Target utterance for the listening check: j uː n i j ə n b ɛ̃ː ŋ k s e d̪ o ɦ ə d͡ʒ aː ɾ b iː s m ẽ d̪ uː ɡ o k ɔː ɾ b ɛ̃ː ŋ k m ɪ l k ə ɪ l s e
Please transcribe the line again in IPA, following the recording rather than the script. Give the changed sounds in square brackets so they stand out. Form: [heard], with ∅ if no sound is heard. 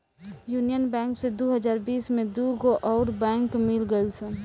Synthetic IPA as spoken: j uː n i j ə n b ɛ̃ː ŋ k s e d̪ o ɦ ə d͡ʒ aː ɾ b iː s m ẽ d̪ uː ɡ o [ʔ] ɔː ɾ b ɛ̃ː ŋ k m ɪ l [ɡ] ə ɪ l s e

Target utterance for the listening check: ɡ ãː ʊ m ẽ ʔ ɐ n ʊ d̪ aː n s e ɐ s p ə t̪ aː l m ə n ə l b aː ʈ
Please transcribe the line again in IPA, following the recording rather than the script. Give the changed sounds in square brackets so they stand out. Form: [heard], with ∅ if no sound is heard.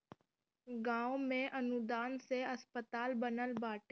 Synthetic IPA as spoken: ɡ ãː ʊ m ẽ ʔ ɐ n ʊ d̪ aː n s e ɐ s p ə t̪ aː l [b] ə n ə l b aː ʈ

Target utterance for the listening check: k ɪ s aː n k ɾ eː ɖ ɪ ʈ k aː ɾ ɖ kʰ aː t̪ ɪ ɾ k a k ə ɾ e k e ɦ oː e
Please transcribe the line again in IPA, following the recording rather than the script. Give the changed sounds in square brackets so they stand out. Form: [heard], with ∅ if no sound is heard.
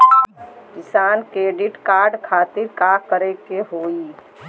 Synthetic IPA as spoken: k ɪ s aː n k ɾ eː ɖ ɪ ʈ k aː ɾ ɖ kʰ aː t̪ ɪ ɾ k a k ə ɾ e k e ɦ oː [i]

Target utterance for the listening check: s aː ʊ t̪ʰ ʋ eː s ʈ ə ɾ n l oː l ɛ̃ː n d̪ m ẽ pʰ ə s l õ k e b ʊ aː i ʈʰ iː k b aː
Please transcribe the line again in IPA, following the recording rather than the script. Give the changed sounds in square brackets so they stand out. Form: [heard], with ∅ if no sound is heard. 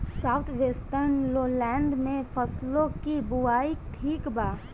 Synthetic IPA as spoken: s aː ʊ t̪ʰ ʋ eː s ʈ ə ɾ n l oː l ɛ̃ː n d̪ m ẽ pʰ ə s l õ k [i] b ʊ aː i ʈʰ iː k b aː

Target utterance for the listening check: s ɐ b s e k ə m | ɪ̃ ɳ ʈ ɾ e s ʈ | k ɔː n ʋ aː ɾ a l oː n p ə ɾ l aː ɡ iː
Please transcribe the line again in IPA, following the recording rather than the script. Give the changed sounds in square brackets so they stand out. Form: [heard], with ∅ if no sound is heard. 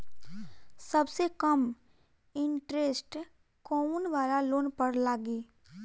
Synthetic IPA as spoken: s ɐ b s e k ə m | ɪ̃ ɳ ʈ ɾ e s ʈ | k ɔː n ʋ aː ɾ a l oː n p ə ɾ l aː ɡ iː

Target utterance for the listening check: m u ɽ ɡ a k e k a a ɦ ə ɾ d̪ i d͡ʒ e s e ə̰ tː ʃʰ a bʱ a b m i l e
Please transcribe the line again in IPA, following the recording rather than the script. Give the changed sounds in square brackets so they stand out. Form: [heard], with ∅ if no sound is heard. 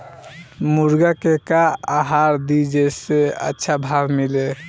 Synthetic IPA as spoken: m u [ɾ] ɡ a k e k a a ɦ [a] ɾ d̪ i d͡ʒ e s e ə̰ tː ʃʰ a bʱ a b m i l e

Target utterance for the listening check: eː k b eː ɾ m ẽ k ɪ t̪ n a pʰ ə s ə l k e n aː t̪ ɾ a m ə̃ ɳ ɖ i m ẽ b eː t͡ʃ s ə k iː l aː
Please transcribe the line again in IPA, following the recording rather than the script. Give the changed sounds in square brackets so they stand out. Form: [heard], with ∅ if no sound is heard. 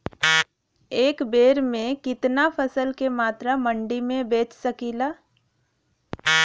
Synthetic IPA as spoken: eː k b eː ɾ m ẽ k ɪ t̪ n a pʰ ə s ə l k e [m] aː t̪ ɾ a m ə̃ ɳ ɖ i m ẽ b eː t͡ʃ s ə k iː l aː

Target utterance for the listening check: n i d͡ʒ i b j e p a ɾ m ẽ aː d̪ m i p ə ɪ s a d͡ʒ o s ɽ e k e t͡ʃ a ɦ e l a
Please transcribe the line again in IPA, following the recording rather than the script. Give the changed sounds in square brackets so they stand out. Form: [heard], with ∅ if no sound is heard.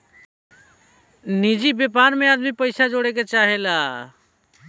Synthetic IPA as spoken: n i d͡ʒ i b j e p a ɾ m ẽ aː d̪ m i p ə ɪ s a d͡ʒ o [∅] ɽ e k e t͡ʃ a ɦ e l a

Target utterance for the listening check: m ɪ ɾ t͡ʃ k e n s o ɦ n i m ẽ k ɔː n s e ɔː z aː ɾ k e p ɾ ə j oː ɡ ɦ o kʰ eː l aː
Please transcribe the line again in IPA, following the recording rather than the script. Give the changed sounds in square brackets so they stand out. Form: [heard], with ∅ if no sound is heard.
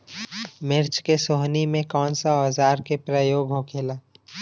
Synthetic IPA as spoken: m ɪ ɾ t͡ʃ k e [∅] s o ɦ n i m ẽ k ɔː n s [a] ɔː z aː ɾ k e p ɾ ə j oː ɡ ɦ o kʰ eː l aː

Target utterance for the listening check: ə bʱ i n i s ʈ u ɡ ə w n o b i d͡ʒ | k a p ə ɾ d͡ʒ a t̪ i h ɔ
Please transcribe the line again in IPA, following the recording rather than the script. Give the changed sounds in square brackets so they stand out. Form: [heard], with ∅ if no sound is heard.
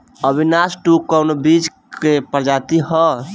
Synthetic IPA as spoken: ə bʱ i n [a] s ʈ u [k] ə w n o b i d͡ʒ | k [e] p ə ɾ d͡ʒ a t̪ i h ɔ

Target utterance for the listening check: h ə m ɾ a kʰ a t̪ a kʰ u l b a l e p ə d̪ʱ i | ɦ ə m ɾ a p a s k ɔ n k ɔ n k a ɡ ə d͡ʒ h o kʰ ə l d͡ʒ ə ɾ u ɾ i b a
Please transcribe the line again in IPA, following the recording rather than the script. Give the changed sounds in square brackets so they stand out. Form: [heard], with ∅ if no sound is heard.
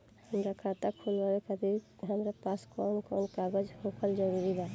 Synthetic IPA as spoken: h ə m ɾ a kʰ a t̪ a kʰ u l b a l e [k] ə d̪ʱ i | ɦ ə m ɾ a p a s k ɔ n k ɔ n k a ɡ ə d͡ʒ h o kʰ ə l d͡ʒ ə ɾ u ɾ i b a

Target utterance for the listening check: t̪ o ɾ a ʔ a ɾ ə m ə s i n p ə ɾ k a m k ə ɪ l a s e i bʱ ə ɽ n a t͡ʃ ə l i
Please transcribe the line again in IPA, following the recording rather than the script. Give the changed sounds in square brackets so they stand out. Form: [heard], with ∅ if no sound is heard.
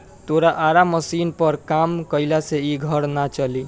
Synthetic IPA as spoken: t̪ o ɾ a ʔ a ɾ [a] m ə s i n p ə ɾ k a m k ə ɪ l a s e i [ɡʱ] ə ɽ n a t͡ʃ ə l i

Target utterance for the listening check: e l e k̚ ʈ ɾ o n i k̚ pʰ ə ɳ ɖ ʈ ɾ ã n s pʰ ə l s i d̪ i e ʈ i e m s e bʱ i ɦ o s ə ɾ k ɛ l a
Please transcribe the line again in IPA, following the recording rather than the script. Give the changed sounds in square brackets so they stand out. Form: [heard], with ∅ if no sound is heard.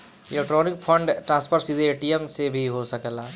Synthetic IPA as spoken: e l e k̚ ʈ ɾ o n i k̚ pʰ ə ɳ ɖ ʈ ɾ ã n s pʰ ə [ɾ] s i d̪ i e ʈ i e m s e bʱ i ɦ o s ə [∅] k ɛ l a

